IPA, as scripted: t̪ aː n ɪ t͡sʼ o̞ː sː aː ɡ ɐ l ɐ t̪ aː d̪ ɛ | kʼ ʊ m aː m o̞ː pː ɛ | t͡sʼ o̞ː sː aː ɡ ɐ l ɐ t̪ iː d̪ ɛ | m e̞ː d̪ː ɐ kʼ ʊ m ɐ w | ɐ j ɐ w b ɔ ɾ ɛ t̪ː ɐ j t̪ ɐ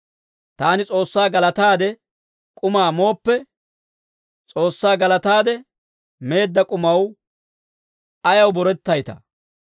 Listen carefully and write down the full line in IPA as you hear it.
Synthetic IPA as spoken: t̪ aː n ɪ t͡sʼ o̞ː sː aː ɡ ɐ l ɐ t̪ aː d̪ ɛ | kʼ ʊ m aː m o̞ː pː ɛ | t͡sʼ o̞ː sː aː ɡ ɐ l ɐ t̪ aː d̪ ɛ | m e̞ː d̪ː ɐ kʼ ʊ m ɐ w | ɐ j ɐ w b ɔ ɾ ɛ t̪ː ɐ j t̪ ɐ